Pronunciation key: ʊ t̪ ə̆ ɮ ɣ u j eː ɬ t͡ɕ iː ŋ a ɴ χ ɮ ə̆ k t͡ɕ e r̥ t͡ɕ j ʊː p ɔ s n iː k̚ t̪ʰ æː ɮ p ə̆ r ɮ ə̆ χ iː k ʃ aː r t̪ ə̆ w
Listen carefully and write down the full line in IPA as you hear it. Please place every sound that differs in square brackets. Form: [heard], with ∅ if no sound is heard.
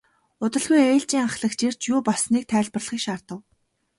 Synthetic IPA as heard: ʊ t̪ ə̆ ɮ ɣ u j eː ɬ t͡ɕ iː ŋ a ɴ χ ɮ ə̆ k t͡ɕ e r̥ t͡ɕ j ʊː p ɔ s n iː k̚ t̪ʰ æː ɮ p ə̆ r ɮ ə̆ χ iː k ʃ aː r t̪ ə̆ w